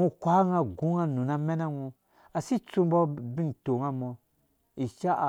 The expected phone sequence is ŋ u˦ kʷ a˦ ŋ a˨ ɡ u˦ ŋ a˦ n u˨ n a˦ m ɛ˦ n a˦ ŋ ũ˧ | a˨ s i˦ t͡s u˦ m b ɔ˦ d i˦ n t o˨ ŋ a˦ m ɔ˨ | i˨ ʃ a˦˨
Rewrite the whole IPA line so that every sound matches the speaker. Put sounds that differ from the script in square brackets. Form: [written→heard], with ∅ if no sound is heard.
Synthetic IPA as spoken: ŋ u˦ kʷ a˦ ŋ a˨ ɡ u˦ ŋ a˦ n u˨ n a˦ m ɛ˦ n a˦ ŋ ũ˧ | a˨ s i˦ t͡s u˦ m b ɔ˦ [d→b] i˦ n t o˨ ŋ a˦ m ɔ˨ | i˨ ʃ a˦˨